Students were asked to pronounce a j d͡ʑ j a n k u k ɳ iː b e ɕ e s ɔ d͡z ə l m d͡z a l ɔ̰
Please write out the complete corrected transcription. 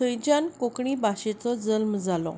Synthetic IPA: ə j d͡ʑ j a n k o k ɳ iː b a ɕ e t͡s ɔ d͡z ə l m d͡z a l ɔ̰